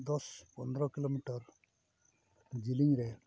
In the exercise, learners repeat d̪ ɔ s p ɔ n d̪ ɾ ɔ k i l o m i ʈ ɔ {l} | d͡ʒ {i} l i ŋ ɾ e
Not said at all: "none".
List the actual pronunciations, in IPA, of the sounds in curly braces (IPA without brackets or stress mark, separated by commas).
ɾ, i